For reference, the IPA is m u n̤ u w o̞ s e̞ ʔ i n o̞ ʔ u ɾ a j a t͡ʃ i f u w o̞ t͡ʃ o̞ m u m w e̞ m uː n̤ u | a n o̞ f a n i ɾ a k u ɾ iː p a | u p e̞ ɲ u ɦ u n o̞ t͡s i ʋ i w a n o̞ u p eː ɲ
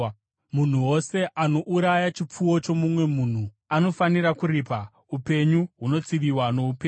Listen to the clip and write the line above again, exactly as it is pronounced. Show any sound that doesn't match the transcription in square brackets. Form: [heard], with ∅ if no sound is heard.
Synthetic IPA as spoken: m u n̤ u w o̞ s e̞ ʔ [a] n o̞ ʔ u ɾ a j a t͡ʃ i [p͡f] u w o̞ t͡ʃ o̞ m u m w e̞ m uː n̤ u | a n o̞ f a n i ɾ a k u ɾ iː p a | u p e̞ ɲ u ɦ u n o̞ t͡s i ʋ i w a n o̞ u p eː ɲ